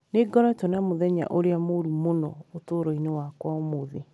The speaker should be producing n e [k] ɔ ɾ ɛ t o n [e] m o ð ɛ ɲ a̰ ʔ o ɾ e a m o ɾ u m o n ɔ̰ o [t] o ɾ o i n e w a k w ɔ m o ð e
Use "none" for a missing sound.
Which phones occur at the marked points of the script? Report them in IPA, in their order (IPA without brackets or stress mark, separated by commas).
ɡ, a, t